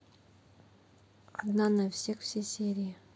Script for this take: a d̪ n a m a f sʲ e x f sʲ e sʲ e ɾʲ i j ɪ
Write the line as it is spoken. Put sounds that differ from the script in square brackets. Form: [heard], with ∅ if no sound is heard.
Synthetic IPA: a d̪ n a [n] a f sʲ e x f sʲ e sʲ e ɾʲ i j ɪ